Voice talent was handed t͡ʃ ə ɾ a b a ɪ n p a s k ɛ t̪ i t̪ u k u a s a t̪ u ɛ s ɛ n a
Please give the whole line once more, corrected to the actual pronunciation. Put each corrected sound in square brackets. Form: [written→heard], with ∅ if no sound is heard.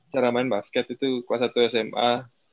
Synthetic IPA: t͡ʃ [ə→a] ɾ a [b→m] a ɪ n [p→b] a s k ɛ t̪ i t̪ u k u a s a t̪ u ɛ s ɛ [n→m] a